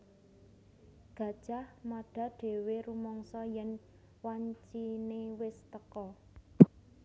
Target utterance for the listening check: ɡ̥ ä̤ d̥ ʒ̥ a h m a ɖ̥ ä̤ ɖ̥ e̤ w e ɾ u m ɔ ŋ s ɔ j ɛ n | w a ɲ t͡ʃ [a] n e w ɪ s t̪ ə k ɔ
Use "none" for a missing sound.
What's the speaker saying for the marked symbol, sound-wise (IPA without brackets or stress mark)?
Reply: i